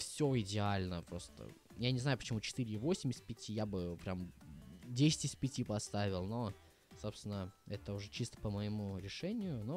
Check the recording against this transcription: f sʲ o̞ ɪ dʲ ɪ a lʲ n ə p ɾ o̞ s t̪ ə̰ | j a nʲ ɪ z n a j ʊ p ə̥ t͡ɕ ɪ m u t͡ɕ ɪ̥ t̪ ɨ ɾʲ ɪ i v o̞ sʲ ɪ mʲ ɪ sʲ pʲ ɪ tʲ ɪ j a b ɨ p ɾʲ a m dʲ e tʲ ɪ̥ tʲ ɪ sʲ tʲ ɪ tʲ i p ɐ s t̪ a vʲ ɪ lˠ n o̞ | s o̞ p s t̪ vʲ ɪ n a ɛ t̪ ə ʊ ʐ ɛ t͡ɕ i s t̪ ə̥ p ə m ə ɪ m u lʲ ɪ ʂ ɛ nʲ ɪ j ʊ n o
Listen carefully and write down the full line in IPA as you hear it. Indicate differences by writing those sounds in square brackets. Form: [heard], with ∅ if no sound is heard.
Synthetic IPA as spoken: f sʲ o̞ ɪ dʲ ɪ a lʲ n ə p ɾ o̞ s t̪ ə̰ | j a nʲ ɪ z n a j ʊ p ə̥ t͡ɕ ɪ m u t͡ɕ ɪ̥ t̪ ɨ ɾʲ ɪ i v o̞ sʲ ɪ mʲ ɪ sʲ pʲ ɪ tʲ [i] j a b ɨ p ɾʲ a m dʲ e [sʲ] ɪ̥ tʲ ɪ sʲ [pʲ] ɪ tʲ i p ɐ s t̪ a vʲ ɪ lˠ n o̞ | s o̞ p s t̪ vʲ ɪ n [ə] ɛ t̪ ə ʊ ʐ ɛ t͡ɕ i s t̪ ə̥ p ə m ə ɪ m u [ɾʲ] ɪ ʂ ɛ nʲ ɪ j ʊ n o